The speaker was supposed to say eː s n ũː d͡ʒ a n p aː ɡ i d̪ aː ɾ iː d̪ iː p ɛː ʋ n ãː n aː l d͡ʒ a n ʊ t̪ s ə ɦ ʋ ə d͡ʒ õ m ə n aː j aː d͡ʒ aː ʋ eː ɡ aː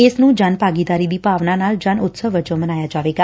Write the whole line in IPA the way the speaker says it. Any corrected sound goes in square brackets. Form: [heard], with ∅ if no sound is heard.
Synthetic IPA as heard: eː s n ũː d͡ʒ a n p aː ɡ i d̪ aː ɾ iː d̪ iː p [aː] ʋ n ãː n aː l d͡ʒ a n ʊ t̪ s ə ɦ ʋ ə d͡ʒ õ m ə n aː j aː d͡ʒ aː ʋ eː ɡ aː